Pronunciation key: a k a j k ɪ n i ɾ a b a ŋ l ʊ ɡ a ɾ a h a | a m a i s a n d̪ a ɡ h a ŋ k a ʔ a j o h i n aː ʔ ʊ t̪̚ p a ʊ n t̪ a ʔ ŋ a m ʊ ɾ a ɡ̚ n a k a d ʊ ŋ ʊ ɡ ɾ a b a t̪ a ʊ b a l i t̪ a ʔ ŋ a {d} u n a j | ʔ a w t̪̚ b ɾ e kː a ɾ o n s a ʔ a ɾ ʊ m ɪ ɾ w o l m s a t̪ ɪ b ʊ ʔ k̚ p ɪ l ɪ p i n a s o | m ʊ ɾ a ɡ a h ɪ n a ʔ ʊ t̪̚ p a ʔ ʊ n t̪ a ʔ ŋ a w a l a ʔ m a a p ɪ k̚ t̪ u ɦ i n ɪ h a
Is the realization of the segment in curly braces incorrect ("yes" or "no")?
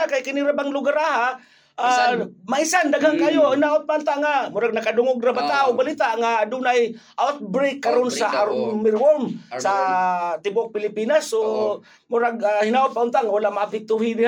no